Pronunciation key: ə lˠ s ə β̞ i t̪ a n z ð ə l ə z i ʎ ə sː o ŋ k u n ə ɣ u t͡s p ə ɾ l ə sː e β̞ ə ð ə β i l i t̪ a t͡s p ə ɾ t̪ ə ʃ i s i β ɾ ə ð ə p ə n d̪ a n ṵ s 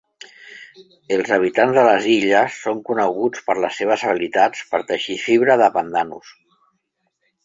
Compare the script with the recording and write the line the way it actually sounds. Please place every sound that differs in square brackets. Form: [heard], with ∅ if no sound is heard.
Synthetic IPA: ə lˠ [z] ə β̞ i t̪ a n z ð ə l ə z i ʎ ə sː o ŋ k u n ə ɣ u t͡s p ə ɾ l ə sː e β̞ ə [z] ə β i l i t̪ a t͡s p ə ɾ t̪ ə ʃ i [f] i β ɾ ə ð ə p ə n d̪ a n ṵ s